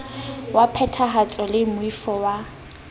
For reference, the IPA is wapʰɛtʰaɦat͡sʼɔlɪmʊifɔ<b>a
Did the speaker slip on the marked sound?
yes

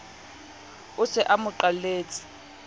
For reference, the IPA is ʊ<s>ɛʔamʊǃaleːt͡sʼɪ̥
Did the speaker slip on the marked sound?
no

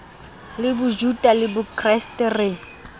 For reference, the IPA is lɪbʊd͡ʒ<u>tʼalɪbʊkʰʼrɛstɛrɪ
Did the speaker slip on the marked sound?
no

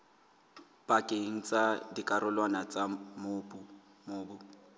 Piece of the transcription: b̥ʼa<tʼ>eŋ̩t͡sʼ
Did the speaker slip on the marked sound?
yes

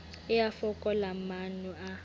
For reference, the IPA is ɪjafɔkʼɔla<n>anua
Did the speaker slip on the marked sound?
yes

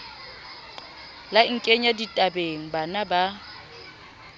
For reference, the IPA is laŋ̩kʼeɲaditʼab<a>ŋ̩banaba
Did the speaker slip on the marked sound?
yes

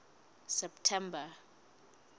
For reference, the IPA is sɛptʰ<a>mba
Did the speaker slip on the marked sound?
yes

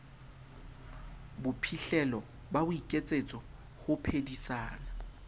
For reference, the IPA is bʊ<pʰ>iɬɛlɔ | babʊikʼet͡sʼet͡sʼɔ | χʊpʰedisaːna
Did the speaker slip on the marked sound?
no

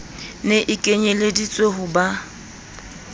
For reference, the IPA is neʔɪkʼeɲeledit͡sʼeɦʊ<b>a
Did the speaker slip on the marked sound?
no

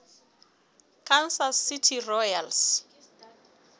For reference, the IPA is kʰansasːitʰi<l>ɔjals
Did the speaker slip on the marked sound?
yes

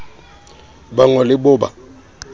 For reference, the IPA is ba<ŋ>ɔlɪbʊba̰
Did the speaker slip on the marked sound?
no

